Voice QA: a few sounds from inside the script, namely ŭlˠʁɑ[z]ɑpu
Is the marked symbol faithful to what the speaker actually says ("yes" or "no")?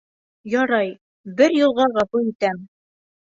no